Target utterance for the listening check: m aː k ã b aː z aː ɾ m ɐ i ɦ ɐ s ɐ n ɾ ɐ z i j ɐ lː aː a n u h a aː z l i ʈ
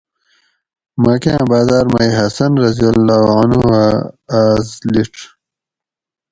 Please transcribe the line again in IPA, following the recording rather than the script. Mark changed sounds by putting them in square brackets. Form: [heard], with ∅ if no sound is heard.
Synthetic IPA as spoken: m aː k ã b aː z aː ɾ m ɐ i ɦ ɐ s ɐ n ɾ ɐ z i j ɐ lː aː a n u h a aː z l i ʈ